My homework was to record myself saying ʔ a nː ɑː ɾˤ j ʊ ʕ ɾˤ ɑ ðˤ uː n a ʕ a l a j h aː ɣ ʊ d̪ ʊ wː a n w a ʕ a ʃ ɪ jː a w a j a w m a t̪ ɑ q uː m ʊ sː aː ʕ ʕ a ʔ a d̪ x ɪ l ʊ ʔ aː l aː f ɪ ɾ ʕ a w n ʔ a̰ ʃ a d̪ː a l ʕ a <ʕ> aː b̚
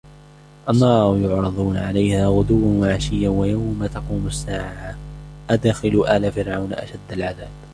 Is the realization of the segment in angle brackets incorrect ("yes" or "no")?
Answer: yes